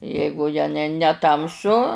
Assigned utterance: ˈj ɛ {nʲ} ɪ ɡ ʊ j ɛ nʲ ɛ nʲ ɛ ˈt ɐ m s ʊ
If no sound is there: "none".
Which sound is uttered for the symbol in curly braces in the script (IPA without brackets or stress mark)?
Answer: none